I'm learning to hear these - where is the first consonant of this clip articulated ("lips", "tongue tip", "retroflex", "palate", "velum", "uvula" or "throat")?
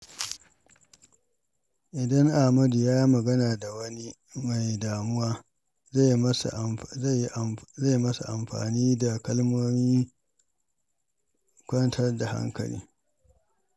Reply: throat